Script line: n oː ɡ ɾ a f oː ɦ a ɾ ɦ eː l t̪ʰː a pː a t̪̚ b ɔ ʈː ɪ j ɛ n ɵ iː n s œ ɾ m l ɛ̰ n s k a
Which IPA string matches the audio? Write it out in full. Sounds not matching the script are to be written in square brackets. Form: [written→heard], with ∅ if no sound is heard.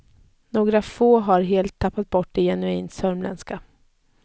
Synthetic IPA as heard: n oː ɡ ɾ a f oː ɦ a ɾ ɦ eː l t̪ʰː a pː a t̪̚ b ɔ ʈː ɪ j ɛ n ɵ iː n s œ ɾ m l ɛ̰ n s k a